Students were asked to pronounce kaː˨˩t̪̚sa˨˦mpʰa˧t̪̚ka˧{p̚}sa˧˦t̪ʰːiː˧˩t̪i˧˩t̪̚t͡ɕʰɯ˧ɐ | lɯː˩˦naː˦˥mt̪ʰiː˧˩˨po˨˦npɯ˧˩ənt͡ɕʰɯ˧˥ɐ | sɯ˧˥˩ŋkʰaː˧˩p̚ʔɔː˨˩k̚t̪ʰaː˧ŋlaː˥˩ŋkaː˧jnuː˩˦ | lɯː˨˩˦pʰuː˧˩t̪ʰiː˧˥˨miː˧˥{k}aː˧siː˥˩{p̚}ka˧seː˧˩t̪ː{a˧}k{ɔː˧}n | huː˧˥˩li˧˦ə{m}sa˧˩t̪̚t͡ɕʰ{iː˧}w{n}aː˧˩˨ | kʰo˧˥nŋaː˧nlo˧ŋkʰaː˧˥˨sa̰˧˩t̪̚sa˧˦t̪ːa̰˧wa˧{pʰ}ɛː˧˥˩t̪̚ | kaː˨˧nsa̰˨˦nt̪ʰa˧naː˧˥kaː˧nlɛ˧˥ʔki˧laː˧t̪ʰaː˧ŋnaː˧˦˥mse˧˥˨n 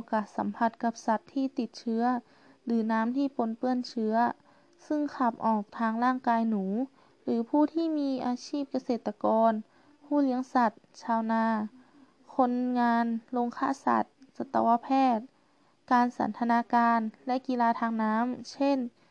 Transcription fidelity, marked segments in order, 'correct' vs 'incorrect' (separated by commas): correct, incorrect, correct, correct, correct, incorrect, incorrect, correct, correct